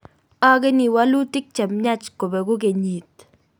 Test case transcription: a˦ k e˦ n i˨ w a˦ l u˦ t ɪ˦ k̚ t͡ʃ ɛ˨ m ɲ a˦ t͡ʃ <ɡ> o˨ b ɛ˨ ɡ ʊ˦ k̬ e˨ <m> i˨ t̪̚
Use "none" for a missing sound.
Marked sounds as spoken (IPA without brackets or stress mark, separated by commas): k, ɲ